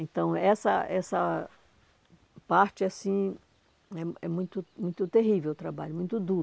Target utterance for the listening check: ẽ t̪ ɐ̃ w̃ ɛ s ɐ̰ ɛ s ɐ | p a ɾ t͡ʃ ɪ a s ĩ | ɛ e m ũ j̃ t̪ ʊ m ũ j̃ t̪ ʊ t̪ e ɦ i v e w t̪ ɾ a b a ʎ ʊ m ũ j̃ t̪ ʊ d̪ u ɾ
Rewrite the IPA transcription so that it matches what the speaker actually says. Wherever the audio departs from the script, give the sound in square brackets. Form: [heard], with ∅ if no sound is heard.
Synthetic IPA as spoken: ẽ t̪ ɐ̃ w̃ ɛ s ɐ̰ ɛ s ɐ | p a ɾ t͡ʃ ɪ a s ĩ | ɛ [ɛ] m ũ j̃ t̪ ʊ m ũ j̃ t̪ ʊ t̪ e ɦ i v e w t̪ ɾ a b a ʎ ʊ m ũ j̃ t̪ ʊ d̪ u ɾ